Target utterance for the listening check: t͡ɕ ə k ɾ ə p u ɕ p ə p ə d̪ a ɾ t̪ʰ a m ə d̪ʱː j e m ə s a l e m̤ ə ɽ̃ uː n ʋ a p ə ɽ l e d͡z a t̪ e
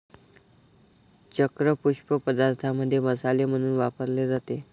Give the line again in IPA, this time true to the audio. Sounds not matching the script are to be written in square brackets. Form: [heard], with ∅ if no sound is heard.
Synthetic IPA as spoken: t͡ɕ ə k ɾ ə p u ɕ p ə p ə d̪ a ɾ t̪ʰ a m ə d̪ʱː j e m ə s a l e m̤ ə ɽ̃ uː n ʋ a p ə [ɾ] l e d͡z a t̪ e

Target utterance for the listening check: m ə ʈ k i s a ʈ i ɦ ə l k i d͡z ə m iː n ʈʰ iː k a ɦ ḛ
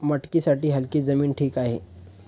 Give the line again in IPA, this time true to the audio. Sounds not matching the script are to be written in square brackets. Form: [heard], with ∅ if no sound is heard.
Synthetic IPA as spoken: m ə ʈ k i s a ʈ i ɦ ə l k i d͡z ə m iː n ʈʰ iː k a ɦ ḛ

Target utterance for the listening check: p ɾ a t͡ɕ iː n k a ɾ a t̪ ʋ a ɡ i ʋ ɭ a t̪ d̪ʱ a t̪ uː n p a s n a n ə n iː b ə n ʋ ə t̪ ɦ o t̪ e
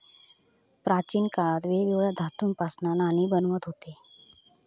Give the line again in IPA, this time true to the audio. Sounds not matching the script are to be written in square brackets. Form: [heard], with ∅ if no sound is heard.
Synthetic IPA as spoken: p ɾ a t͡ɕ iː n k a [ɭ] a t̪ ʋ [e] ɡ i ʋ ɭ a [∅] d̪ʱ a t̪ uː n p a s n a n [a] n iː b ə n ʋ ə t̪ ɦ o t̪ e

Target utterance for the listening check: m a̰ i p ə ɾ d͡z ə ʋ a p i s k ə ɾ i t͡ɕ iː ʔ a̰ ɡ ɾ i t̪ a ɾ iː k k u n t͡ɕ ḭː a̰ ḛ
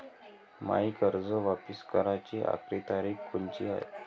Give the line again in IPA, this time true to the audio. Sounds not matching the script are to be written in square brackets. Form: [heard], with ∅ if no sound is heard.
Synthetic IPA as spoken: m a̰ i [k] ə ɾ d͡z ə ʋ a p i s k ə ɾ [a] t͡ɕ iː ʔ a̰ [k] ɾ i t̪ a ɾ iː k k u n t͡ɕ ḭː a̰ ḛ

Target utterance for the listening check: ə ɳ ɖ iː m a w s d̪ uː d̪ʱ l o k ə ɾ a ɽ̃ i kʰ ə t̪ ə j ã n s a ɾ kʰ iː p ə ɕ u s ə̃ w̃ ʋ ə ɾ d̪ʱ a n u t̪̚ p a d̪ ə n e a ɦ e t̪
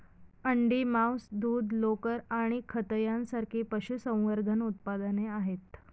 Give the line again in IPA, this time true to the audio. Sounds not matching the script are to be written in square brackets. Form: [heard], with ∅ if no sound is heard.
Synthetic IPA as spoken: ə ɳ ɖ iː m a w s d̪ uː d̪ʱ l o k ə ɾ a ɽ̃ i kʰ ə t̪ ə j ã n s a ɾ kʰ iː p ə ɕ u s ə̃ w̃ ʋ ə ɾ d̪ʱ [ə] n u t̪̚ p a d̪ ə n e a ɦ e t̪

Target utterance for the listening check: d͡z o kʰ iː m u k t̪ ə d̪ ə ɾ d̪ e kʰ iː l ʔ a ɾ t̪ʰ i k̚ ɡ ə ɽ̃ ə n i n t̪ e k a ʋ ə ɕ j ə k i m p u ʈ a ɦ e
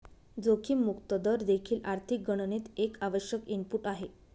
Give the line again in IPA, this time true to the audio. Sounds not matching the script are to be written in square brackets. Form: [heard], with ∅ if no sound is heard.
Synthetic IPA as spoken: d͡z o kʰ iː m u k t̪ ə d̪ ə ɾ d̪ e kʰ iː l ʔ a ɾ t̪ʰ i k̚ ɡ ə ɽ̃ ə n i [∅] t̪ e k a ʋ ə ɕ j ə k i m p u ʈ a ɦ e

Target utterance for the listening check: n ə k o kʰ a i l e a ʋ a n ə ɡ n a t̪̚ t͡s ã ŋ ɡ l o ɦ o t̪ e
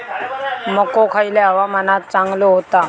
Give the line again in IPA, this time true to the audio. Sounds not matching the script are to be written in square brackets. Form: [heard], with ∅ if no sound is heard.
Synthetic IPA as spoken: [m] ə k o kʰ a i l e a ʋ a [m] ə [∅] n a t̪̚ t͡s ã ŋ ɡ l o ɦ o t̪ [a]

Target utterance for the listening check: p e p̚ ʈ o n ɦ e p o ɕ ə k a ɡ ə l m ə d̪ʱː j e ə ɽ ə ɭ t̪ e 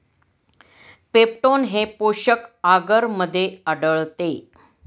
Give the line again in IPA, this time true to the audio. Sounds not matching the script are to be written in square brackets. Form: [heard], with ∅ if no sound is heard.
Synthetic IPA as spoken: p e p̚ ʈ o n ɦ e p o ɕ ə k a ɡ ə [ɾ] m ə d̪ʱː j e ə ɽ ə ɭ t̪ e

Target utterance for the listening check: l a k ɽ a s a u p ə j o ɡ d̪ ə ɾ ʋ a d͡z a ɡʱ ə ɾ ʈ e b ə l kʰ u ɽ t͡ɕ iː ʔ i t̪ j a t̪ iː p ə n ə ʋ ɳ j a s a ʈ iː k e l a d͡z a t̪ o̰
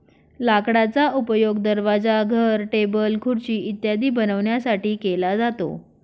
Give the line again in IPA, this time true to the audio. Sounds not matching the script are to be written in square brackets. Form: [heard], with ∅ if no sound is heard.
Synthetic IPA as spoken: l a k ɽ a [t͡s] a u p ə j o ɡ d̪ ə ɾ ʋ a d͡z a ɡʱ ə ɾ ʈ e b ə l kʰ u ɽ t͡ɕ iː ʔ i t̪ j a [d̪] iː [b] ə n ə ʋ ɳ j a s a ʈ iː k e l a d͡z a t̪ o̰

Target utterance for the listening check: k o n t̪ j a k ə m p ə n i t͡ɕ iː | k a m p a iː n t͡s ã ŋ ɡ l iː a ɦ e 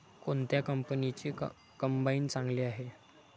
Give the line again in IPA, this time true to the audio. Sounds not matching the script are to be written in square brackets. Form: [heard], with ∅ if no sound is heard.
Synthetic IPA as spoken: k o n t̪ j a k ə m p ə n i t͡ɕ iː | k [ə] m [b] a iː n t͡s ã ŋ ɡ l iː a ɦ e

